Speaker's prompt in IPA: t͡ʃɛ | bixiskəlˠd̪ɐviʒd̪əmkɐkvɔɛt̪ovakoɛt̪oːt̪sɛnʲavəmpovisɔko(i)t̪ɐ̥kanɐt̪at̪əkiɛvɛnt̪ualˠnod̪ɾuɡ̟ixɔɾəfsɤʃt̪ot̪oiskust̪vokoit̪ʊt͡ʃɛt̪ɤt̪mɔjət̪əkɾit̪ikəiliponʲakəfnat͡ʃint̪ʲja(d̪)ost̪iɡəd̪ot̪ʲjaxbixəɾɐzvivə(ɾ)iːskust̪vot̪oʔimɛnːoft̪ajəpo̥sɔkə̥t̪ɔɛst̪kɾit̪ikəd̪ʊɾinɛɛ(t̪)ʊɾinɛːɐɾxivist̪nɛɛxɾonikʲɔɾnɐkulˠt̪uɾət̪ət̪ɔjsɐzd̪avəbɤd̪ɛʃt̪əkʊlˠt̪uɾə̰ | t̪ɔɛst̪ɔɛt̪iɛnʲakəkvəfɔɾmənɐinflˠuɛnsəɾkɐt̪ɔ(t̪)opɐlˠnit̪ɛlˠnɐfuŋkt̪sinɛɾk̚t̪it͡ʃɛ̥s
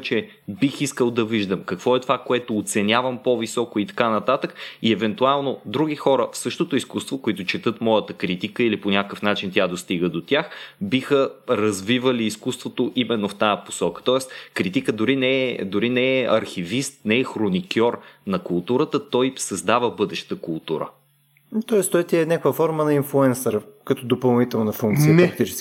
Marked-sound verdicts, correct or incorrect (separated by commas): correct, correct, incorrect, incorrect, incorrect